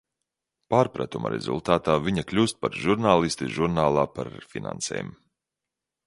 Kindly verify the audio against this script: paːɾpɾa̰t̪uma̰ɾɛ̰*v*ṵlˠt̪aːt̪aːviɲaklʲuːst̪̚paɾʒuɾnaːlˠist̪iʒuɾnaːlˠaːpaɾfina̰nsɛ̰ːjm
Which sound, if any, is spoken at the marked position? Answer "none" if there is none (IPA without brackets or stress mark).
z